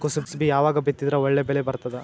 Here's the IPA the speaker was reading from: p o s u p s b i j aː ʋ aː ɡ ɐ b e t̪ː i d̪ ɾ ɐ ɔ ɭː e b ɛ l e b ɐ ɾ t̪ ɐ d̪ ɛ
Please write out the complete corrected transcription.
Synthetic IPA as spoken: k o s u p s b i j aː ʋ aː ɡ ɐ b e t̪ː i d̪ ɾ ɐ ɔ ɭː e b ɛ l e b ɐ ɾ t̪ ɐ d̪ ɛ